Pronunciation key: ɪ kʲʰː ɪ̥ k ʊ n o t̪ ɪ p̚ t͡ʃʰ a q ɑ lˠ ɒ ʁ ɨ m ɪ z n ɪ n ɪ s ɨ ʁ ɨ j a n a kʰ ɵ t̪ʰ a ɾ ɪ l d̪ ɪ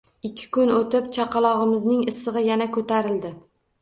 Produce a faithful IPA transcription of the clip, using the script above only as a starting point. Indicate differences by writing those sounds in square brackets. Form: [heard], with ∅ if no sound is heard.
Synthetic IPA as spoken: ɪ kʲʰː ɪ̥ k ʊ n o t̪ ɪ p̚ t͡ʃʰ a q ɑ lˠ ɒ ʁ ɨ m ɪ z n ɪ [ŋ] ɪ s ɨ ʁ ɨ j a n a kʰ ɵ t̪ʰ a ɾ ɪ l d̪ ɪ